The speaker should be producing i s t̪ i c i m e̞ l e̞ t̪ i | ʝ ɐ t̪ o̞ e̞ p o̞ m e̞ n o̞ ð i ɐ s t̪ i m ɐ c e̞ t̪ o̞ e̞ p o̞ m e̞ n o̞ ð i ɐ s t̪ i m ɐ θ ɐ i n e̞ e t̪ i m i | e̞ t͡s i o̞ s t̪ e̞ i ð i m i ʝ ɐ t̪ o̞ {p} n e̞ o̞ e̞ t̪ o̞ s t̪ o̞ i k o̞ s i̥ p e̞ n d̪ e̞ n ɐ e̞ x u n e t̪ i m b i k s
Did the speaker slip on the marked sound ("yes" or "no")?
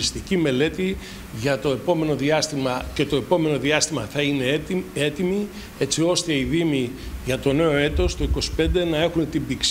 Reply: yes